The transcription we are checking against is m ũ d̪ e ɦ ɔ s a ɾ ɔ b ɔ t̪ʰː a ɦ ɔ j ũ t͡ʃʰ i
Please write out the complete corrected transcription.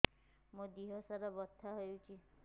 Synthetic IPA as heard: m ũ d̪ i ɦ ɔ s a ɾ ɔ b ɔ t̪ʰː a ɦ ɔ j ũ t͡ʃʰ i